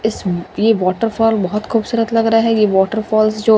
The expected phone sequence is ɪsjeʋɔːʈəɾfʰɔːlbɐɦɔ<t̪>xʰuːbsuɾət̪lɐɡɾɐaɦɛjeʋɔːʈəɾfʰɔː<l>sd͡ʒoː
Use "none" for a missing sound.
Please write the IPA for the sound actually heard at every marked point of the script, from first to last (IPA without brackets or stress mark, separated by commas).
t̪, l